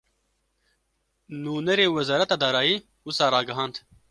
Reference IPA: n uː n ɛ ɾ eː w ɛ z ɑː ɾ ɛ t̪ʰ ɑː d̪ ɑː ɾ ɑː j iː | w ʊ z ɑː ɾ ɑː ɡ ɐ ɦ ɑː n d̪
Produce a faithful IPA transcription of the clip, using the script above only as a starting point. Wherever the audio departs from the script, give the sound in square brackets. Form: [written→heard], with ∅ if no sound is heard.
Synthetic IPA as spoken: n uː n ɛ ɾ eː w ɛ z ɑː ɾ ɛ [t̪ʰ→t̪] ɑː d̪ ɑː ɾ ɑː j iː | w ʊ [z→s] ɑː ɾ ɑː ɡ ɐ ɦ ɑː n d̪